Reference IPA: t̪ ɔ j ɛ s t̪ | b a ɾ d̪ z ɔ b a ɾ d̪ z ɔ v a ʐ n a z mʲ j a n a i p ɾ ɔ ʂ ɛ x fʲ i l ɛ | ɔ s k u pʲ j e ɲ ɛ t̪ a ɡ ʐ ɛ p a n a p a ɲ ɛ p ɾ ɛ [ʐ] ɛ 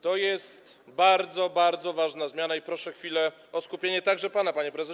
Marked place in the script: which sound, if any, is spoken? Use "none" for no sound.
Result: z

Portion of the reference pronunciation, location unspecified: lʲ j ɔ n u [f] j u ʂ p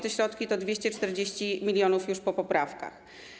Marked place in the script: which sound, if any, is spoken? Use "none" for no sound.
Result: f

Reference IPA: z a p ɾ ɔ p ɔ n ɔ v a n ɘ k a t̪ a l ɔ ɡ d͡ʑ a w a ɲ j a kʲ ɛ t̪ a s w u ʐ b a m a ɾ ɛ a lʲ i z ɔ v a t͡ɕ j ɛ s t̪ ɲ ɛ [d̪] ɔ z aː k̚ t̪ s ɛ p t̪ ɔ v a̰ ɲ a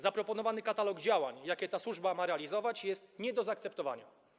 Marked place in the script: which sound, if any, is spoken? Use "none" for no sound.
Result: d̪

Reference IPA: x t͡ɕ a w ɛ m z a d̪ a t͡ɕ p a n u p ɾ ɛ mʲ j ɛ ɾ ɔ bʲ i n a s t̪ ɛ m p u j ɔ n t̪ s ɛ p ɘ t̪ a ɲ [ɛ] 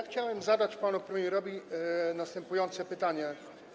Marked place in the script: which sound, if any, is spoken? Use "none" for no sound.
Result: ɛ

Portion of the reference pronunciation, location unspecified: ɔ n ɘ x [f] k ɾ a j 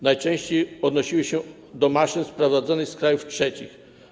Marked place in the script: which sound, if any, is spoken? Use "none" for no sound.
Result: s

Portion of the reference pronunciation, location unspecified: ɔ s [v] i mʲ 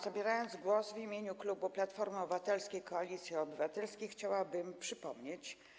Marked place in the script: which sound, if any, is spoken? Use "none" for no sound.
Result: v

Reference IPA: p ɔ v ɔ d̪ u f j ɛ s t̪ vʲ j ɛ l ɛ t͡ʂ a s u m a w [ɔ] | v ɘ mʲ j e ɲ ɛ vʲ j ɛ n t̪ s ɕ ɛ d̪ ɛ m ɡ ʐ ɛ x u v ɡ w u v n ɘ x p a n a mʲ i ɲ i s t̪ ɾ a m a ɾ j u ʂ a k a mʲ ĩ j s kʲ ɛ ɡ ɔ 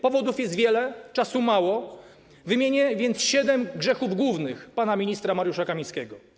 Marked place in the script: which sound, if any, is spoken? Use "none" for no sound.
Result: ɔ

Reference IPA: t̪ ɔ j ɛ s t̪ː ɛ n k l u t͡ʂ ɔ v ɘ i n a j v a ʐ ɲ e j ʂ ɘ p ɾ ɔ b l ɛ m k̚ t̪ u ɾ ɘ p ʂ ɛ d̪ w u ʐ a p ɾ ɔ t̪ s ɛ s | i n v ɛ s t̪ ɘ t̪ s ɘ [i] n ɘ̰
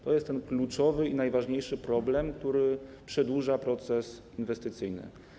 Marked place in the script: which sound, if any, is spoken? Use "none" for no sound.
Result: j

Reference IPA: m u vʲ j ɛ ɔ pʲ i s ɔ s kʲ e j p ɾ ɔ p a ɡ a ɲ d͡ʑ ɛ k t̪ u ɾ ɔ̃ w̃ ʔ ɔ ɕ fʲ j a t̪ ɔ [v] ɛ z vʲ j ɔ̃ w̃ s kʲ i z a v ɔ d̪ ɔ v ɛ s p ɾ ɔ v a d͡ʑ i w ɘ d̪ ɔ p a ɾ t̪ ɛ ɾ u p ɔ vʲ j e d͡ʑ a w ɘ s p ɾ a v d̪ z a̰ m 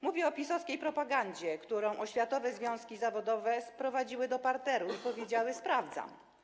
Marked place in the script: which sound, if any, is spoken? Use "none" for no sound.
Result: v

